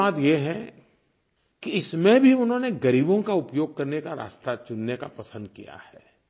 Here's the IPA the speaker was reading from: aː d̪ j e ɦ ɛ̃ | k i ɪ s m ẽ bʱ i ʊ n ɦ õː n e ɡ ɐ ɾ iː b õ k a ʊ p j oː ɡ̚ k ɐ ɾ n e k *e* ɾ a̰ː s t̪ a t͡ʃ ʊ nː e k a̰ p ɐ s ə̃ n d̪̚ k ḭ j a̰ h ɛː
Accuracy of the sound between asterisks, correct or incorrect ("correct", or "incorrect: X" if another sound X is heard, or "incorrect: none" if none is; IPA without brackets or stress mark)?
incorrect: a